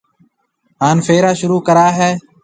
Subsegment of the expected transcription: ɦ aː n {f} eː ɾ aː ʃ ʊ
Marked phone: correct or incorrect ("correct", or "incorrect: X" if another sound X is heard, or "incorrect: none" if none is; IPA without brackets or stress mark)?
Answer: correct